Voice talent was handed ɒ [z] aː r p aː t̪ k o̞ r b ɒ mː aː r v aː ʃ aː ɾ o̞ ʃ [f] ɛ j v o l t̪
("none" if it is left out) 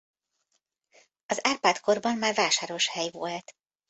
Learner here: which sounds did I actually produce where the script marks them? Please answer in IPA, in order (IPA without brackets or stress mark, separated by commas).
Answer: z, h